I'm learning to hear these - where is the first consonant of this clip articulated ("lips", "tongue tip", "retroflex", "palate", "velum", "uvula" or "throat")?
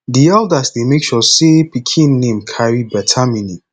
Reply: tongue tip